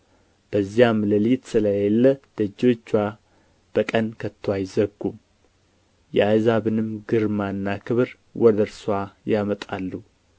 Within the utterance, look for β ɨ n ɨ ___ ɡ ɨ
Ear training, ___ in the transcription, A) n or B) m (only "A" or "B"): B